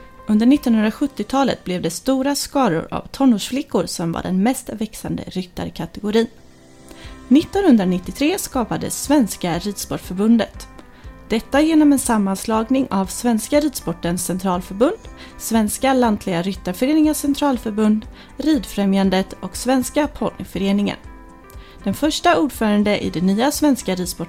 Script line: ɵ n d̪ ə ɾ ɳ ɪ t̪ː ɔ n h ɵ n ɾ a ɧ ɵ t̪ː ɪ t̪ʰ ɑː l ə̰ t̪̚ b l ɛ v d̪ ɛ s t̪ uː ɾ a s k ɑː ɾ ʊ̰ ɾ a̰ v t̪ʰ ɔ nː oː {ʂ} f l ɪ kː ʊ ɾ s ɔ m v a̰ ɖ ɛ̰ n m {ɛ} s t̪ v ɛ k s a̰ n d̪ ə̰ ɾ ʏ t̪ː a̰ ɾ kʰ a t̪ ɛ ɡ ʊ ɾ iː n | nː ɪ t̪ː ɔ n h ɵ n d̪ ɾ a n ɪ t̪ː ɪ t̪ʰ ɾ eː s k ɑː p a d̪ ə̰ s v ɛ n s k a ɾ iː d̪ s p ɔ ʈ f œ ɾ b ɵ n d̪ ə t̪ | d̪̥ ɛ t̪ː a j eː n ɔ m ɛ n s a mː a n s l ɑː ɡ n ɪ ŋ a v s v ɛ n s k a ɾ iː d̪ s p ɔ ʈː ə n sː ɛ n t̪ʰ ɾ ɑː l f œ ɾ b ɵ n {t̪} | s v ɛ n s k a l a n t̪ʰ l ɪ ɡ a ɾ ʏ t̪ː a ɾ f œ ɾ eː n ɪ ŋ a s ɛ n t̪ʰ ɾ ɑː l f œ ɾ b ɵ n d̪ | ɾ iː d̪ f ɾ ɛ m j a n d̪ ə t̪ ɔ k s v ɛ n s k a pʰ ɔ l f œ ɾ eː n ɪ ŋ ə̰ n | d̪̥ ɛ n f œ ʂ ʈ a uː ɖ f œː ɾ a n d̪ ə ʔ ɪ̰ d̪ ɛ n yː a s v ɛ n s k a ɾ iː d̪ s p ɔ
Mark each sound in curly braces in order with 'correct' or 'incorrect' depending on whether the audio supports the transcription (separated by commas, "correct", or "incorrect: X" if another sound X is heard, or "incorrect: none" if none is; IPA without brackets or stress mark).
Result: correct, correct, incorrect: d̪